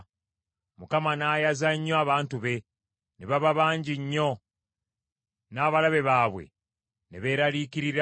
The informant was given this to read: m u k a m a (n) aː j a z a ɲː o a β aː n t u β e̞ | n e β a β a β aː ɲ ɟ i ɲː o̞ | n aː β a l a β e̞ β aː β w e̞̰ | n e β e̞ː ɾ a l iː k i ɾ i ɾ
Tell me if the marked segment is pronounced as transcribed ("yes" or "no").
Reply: yes